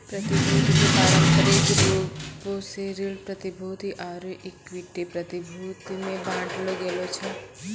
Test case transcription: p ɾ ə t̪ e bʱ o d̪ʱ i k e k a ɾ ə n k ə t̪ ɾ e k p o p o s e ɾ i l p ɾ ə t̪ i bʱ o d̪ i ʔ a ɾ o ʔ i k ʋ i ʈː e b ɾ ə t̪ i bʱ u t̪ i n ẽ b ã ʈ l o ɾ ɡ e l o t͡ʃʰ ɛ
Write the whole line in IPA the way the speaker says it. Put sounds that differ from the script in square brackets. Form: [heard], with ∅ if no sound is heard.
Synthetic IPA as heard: p ɾ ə t̪ [i] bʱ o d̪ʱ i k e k a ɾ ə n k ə [∅] ɾ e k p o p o s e ɾ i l p ɾ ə t̪ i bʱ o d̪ i ʔ a ɾ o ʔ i k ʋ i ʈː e [p] ɾ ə t̪ i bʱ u t̪ i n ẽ b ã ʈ l o [∅] ɡ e l o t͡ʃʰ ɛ